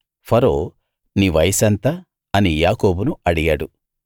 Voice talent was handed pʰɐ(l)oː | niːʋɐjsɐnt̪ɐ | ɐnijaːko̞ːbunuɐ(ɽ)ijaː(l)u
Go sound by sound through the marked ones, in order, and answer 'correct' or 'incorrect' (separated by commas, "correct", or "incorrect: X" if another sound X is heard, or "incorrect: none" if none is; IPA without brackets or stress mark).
incorrect: ɾ, correct, incorrect: ɽ